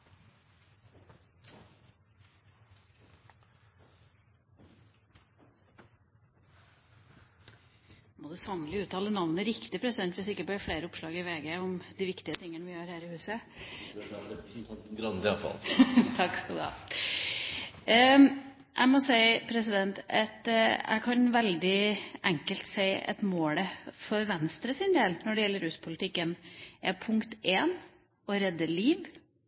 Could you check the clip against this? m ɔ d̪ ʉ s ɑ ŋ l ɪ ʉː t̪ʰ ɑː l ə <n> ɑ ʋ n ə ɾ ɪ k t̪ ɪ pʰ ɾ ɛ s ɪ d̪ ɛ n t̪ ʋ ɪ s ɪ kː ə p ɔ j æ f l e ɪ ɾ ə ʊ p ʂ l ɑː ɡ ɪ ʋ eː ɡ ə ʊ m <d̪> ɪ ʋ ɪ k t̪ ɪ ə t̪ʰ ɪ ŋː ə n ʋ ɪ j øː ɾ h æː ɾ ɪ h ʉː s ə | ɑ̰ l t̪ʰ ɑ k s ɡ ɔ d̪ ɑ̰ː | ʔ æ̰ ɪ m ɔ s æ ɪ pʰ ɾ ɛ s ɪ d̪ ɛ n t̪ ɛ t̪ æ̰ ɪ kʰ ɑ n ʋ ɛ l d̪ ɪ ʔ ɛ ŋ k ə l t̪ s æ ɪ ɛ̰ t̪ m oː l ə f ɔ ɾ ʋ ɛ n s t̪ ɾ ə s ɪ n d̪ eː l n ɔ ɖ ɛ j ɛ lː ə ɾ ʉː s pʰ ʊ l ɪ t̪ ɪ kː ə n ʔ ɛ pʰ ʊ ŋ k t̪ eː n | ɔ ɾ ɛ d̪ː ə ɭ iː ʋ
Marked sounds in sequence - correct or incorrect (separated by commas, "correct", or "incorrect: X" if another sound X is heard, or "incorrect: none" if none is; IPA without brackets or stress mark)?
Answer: correct, correct